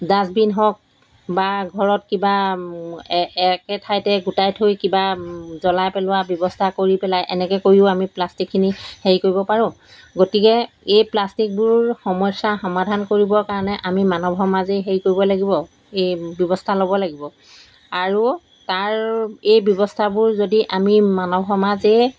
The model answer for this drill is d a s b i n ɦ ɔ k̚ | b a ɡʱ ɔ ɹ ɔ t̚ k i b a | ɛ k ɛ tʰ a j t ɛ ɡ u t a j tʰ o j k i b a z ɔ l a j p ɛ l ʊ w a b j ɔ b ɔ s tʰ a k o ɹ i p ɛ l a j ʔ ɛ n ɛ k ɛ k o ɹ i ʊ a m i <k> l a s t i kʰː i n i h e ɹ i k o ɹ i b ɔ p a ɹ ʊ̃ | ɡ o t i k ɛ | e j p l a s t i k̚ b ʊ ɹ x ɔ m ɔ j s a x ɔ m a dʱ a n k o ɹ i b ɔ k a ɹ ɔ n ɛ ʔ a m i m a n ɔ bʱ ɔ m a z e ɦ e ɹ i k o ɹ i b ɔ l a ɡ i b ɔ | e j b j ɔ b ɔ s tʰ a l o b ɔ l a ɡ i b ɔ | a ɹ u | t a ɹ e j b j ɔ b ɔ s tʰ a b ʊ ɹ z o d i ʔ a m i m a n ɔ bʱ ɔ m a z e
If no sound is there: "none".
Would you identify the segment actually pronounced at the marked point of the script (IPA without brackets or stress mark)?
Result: p